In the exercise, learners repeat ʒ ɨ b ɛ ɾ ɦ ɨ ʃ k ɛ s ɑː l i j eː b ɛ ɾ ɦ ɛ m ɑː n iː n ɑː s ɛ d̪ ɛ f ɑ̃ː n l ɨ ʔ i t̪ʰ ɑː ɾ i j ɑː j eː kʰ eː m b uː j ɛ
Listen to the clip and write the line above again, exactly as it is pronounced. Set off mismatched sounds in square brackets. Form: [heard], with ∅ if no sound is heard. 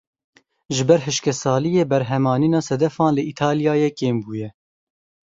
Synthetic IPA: ʒ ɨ b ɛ ɾ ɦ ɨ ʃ k ɛ s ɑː l i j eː b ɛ ɾ ɦ ɛ m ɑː n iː n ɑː s ɛ d̪ ɛ f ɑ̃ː n l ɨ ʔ i t̪ʰ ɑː [l] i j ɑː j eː [k] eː m b uː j ɛ